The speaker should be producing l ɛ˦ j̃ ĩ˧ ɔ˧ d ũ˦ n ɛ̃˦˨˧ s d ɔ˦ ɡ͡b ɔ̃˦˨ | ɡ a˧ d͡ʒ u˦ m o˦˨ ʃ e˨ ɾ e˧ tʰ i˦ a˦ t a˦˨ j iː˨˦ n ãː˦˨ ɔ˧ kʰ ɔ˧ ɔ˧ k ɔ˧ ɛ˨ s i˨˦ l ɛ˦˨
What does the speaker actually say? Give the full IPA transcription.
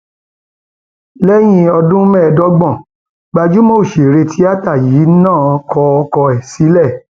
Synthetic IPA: l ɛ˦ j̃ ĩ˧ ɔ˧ d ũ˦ m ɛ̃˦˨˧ d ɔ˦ ɡ͡b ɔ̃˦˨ | ɡ͡b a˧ d͡ʒ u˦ m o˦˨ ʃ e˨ ɾ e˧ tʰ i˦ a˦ t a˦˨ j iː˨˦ n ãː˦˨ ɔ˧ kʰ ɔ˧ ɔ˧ k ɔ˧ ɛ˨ s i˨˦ l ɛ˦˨